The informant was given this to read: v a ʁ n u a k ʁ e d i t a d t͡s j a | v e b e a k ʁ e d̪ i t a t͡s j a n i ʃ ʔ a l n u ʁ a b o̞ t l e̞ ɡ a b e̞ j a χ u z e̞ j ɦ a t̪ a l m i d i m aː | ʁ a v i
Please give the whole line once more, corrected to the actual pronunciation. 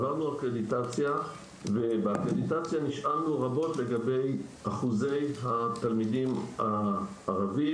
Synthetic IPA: v a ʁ n u a k ʁ e d i t a t͡s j a | v e b e a k ʁ e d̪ i t a t͡s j a n i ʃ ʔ a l n u ʁ a b o̞ t l e̞ ɡ a b e̞ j a χ u z e̞ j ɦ a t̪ a l m i d i m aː | ʁ a v i